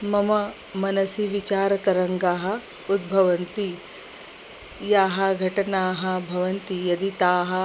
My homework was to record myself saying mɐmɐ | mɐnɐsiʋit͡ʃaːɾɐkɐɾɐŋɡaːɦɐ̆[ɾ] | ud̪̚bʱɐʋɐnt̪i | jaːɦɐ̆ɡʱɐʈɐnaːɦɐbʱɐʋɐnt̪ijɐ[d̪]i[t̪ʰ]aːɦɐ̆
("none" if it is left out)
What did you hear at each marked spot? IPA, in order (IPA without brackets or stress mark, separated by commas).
none, d̪, t̪